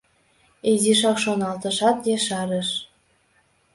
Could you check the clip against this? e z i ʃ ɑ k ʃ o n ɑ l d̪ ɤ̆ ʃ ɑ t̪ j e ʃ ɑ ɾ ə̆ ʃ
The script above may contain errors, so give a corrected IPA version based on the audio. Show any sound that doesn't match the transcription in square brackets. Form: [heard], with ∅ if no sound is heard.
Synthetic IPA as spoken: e z i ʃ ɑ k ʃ o n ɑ l [t̪] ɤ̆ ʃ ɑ t̪ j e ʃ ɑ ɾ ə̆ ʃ